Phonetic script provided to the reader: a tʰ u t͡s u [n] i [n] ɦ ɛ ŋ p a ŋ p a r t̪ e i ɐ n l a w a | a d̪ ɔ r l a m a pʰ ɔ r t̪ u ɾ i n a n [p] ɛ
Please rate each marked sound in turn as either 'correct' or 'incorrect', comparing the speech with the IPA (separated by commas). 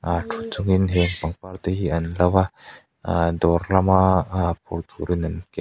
incorrect, correct, incorrect